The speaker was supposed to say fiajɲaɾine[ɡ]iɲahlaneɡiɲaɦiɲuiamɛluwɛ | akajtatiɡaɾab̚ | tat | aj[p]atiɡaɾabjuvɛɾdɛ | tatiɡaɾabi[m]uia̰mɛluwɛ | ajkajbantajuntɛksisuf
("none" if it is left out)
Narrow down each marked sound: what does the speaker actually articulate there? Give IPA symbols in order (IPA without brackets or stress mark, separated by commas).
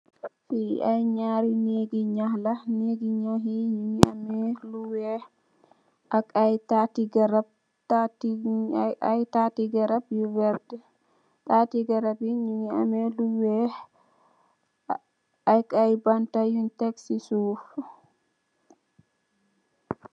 ɡ, t, ɲ